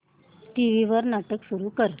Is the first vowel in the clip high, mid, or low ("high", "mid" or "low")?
high